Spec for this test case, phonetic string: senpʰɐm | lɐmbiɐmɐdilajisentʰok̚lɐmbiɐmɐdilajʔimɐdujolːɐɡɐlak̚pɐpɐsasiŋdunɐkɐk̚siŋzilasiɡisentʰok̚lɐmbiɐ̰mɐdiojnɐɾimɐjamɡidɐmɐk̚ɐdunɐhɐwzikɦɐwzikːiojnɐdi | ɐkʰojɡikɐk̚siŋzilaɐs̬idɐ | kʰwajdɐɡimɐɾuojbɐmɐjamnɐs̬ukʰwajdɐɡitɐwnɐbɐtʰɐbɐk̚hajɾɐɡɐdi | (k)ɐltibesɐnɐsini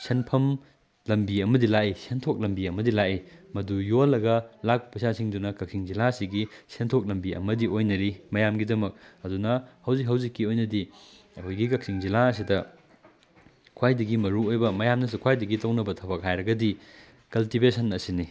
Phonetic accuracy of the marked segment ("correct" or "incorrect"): correct